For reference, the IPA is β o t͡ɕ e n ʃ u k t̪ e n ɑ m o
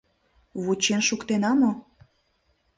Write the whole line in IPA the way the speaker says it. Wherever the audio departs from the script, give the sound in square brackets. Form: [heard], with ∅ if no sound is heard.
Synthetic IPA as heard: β [u] t͡ɕ e n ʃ u k t̪ e n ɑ m o